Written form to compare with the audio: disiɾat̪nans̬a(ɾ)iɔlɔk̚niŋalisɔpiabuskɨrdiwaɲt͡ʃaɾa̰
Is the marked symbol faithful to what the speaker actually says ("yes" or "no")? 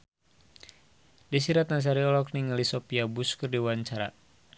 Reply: yes